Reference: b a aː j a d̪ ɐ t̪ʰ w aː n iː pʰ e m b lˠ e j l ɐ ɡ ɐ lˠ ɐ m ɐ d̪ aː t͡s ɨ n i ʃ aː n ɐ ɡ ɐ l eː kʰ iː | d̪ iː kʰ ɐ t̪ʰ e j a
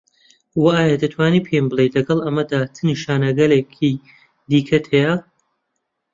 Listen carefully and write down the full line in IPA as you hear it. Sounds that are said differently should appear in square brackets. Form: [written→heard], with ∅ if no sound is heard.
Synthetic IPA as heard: [b→w] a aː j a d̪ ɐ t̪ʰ w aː n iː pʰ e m b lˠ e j l ɐ ɡ ɐ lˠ ɐ m ɐ d̪ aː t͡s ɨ n i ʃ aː n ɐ ɡ ɐ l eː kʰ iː | d̪ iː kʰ ɐ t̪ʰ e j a